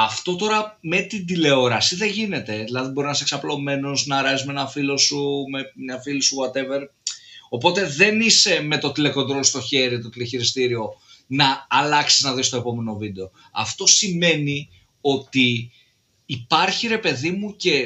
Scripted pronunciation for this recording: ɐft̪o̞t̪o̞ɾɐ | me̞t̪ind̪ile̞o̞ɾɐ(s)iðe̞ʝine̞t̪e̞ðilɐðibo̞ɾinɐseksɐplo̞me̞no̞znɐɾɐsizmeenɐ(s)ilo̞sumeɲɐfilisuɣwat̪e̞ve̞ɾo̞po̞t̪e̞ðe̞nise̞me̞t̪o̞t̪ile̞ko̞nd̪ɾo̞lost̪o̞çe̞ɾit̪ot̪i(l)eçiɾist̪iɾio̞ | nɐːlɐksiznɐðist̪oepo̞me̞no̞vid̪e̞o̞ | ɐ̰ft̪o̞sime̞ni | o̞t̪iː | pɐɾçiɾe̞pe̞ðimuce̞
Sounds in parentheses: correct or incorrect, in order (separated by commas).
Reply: correct, incorrect, correct